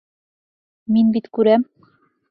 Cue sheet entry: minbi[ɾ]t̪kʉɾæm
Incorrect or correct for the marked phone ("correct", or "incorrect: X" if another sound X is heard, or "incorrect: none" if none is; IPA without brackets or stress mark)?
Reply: incorrect: none